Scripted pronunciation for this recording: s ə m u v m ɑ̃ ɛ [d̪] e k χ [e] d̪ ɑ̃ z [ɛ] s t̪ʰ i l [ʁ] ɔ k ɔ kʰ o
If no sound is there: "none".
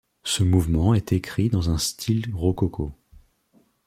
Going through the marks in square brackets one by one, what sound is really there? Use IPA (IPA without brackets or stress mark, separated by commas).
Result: t̪, i, ɛ̃, ʁ